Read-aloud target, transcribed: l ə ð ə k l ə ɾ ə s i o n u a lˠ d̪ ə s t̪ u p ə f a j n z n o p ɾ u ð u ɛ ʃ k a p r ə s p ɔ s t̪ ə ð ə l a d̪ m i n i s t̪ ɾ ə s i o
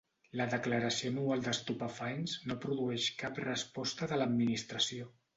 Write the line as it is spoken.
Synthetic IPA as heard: l ə ð ə k l ə ɾ ə s i o n u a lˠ d̪ ə s t̪ u p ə f a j n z n o p ɾ u ð u ɛ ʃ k a p r ə s p ɔ s t̪ ə ð ə l ə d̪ m i n i s t̪ ɾ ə s i o

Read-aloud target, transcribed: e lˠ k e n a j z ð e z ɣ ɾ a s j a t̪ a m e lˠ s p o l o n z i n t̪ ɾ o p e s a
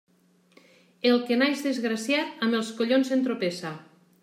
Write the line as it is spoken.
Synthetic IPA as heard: e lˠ k e n a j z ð e z ɣ ɾ a s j a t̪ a m e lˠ s k o ʎ o n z e n t̪ ɾ o p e s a

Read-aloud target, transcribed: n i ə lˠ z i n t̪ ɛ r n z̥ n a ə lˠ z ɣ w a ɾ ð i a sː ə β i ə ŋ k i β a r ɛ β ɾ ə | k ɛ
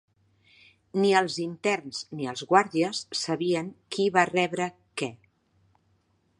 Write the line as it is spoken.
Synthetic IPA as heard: n i ə lˠ z i n t̪ ɛ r n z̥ n i ə lˠ z ɣ w a ɾ ð i ə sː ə β i ə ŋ k i β a r ɛ β ɾ ə | k ɛ

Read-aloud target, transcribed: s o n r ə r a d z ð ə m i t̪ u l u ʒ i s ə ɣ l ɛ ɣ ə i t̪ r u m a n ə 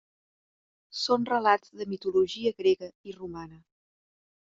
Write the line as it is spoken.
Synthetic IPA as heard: s o n r ə l a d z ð ə m i t̪ u l u ʒ i ə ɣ ɾ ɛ ɣ ə i r u m a n ə

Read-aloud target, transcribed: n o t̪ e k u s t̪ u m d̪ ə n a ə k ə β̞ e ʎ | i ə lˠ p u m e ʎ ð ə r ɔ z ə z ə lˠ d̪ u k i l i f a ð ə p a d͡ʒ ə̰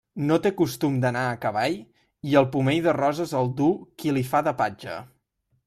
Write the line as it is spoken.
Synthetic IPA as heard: n o t̪ e k u s t̪ u m d̪ ə n a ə k ə β̞ a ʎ | i ə lˠ p u m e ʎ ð ə r ɔ z ə z ə lˠ d̪ u k i l i f a ð ə p a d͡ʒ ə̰

